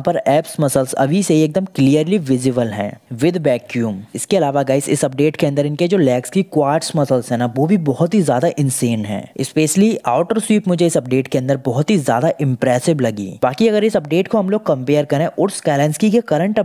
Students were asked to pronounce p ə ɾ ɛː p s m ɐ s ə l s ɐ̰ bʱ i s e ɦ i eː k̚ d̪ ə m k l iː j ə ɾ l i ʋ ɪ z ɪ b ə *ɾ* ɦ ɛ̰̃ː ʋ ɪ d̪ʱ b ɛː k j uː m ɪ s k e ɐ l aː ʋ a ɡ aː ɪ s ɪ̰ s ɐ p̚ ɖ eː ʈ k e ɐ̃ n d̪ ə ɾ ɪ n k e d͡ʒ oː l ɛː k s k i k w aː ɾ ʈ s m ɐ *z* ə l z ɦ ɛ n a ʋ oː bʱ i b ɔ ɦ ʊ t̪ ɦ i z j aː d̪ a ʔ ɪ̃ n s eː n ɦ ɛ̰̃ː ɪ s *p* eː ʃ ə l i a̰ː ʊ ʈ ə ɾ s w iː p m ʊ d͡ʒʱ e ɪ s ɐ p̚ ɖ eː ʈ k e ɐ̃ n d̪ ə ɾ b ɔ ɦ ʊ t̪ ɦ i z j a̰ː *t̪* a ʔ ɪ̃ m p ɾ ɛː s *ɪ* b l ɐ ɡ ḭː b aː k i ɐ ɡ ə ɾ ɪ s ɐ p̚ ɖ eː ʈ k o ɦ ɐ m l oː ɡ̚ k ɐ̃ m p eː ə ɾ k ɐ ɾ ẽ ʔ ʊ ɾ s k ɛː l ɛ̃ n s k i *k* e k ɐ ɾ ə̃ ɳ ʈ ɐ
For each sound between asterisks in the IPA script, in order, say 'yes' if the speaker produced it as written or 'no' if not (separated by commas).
no, no, yes, no, yes, yes